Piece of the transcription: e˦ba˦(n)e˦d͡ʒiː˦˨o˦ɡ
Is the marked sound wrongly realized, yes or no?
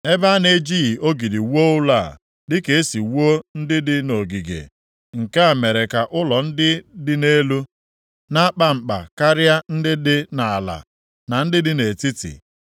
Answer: no